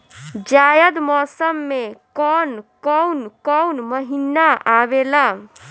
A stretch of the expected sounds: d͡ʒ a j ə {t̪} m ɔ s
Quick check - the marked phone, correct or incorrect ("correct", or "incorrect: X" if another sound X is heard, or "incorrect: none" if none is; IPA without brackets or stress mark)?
incorrect: d̪